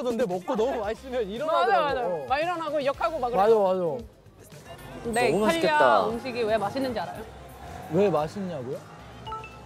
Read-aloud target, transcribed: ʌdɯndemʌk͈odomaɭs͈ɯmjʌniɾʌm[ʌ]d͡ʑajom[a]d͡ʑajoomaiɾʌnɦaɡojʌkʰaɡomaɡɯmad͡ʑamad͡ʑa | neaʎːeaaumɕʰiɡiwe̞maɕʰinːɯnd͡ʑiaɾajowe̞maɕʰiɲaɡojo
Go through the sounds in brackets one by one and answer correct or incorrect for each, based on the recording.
incorrect: a, correct

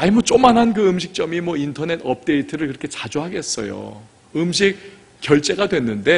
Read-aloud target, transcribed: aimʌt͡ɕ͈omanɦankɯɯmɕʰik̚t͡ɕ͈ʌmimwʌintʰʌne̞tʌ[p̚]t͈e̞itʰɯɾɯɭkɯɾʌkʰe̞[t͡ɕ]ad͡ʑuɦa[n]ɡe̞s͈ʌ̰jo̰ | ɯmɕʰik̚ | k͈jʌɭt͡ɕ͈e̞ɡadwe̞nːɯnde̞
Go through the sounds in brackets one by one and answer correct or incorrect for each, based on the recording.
correct, correct, incorrect: none

